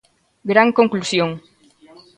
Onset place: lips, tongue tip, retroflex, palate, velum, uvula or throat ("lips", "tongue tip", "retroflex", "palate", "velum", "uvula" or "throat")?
velum